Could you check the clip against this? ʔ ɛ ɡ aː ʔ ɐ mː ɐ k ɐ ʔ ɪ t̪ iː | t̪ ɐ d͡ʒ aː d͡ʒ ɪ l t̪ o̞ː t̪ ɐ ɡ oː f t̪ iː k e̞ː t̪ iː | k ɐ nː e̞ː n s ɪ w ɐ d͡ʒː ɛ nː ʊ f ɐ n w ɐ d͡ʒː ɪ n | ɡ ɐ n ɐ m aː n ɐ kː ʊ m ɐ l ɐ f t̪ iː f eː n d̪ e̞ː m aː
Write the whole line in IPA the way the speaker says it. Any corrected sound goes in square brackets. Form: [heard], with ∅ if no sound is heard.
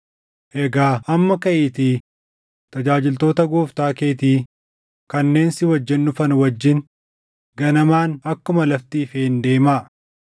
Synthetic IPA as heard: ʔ ɛ ɡ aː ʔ ɐ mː ɐ k ɐ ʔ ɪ t̪ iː | t̪ ɐ d͡ʒ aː d͡ʒ ɪ l t̪ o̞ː t̪ ɐ ɡ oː f t̪ [aː] k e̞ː t̪ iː | k ɐ nː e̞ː n s ɪ w ɐ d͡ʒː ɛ nː ʊ f ɐ n w ɐ d͡ʒː ɪ n | ɡ ɐ n ɐ m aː n ɐ kː ʊ m ɐ l ɐ f t̪ iː f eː n d̪ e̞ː m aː